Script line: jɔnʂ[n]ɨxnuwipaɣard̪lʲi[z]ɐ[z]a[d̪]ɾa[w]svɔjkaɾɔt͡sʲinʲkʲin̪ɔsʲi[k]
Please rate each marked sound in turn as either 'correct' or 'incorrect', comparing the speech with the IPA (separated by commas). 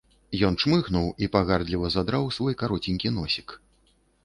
incorrect, incorrect, correct, correct, correct, correct